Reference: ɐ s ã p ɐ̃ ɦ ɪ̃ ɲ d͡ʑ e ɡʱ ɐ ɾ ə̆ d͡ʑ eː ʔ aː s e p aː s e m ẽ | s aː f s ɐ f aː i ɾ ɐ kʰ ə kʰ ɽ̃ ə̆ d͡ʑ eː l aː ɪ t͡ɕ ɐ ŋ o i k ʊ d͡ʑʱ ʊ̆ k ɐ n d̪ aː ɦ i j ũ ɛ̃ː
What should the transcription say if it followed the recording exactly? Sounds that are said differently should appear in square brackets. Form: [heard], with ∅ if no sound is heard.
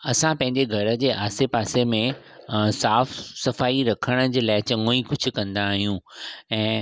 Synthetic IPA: ɐ s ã p ɐ̃ ɦ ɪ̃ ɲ d͡ʑ e ɡʱ ɐ ɾ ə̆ d͡ʑ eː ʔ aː s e p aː s e m ẽ | s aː f s ɐ f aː i ɾ ɐ kʰ ə [∅] ɽ̃ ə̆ d͡ʑ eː l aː ɪ t͡ɕ ɐ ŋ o i k ʊ d͡ʑʱ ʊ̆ k [ɐ̃] n d̪ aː ɦ i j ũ ɛ̃ː